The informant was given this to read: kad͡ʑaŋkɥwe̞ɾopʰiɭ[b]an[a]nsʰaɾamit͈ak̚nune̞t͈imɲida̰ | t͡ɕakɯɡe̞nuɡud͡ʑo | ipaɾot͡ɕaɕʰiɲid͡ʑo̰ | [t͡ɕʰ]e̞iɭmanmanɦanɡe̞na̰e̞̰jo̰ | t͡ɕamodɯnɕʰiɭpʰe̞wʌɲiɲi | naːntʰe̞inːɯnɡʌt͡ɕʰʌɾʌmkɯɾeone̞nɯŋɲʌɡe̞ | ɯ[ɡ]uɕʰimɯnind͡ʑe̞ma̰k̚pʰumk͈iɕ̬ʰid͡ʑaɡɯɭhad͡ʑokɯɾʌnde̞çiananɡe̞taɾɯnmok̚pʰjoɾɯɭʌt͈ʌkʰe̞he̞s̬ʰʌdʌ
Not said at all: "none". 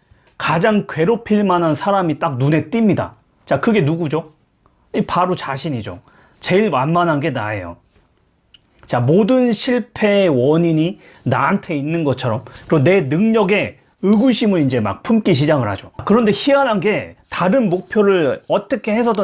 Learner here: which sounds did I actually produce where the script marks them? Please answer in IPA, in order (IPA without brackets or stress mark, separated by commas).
m, a, t͡ɕ, ɡ